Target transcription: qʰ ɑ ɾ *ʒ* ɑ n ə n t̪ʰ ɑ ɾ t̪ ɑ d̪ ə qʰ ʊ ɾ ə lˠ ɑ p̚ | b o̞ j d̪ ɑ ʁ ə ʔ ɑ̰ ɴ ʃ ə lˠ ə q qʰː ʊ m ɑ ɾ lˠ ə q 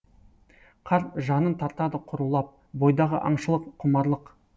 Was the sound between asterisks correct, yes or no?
yes